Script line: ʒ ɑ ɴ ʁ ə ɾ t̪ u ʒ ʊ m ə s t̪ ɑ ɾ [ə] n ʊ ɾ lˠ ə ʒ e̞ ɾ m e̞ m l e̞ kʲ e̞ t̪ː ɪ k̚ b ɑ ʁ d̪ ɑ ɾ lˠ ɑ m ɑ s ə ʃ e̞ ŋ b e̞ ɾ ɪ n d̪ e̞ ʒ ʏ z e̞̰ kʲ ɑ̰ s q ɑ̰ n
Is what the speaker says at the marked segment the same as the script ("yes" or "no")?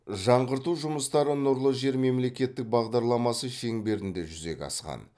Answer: yes